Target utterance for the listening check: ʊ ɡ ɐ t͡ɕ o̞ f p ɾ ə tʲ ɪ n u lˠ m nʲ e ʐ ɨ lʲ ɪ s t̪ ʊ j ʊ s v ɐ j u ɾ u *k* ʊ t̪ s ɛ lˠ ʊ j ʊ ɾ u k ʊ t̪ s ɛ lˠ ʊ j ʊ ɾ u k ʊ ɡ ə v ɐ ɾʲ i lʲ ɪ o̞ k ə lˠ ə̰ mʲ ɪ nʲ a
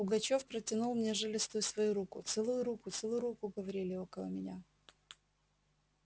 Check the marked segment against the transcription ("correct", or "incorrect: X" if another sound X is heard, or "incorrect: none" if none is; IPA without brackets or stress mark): correct